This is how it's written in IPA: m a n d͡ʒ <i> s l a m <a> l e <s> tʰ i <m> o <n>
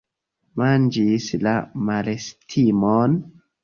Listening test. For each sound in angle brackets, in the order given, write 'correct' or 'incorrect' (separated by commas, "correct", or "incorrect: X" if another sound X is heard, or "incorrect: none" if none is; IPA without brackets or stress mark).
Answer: correct, correct, correct, correct, correct